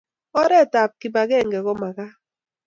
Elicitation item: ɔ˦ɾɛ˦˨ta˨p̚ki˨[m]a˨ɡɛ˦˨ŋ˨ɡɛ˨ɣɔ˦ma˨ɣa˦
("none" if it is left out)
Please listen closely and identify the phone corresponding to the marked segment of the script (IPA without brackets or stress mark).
b